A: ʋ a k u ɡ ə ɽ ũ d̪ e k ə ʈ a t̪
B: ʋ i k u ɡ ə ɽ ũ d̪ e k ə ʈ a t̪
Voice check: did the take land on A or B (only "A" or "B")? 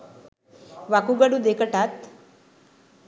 A